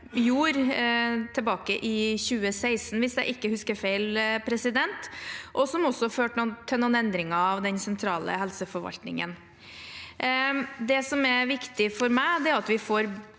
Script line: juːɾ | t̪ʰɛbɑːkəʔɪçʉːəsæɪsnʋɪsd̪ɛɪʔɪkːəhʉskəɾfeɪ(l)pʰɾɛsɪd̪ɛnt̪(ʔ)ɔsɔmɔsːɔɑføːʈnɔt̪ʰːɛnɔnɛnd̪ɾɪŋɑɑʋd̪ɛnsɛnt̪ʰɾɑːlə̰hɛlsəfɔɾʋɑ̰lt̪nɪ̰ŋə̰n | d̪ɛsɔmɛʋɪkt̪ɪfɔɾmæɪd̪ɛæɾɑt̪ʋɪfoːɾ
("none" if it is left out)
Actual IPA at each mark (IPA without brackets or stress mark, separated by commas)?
l, ʔ